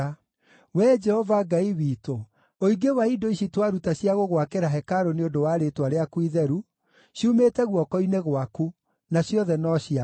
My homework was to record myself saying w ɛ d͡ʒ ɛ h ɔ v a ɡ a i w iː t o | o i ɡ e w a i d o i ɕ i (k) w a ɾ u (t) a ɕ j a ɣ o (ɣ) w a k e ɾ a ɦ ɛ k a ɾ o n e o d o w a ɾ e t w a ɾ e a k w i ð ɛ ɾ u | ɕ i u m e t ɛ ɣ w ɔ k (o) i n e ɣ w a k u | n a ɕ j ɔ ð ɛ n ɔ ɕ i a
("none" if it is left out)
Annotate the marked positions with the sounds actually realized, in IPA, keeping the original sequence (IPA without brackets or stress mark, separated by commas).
t, t, ɣ, ɔ